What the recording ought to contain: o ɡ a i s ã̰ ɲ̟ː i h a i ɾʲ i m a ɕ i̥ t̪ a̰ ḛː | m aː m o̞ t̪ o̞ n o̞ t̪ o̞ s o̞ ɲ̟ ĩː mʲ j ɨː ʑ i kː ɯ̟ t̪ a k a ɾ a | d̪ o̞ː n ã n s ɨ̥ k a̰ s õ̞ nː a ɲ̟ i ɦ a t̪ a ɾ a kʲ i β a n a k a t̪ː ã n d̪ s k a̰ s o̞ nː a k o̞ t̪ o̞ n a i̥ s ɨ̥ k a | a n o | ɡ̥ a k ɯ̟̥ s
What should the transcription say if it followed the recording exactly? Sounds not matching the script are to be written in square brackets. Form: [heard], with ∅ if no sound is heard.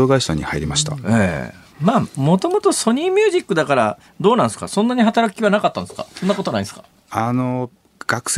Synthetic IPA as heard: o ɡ a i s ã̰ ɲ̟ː i h a i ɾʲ i m a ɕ i̥ t̪ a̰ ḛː | m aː m o̞ t̪ o̞ [m] o̞ t̪ o̞ s o̞ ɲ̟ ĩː mʲ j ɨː ʑ i kː ɯ̟ [d̪] a k a ɾ a | d̪ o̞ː n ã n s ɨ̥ k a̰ s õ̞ nː a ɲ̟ i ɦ a t̪ a ɾ a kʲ i β a n a k a t̪ː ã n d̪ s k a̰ s o̞ nː a k o̞ t̪ o̞ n a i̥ s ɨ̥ k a | a n o | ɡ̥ a k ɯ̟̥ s